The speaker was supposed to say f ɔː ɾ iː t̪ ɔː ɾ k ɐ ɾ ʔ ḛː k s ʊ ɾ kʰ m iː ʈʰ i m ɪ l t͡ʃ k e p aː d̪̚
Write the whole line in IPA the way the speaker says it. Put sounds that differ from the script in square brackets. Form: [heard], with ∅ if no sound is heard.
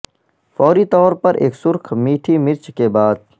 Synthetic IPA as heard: f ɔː ɾ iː t̪ ɔː ɾ [p] ɐ ɾ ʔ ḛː k s ʊ ɾ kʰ m iː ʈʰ i m ɪ [ɾ] t͡ʃ k e [b] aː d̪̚